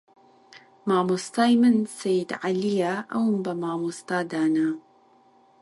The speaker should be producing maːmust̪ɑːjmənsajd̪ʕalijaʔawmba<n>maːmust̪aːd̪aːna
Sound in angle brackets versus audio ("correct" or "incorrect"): incorrect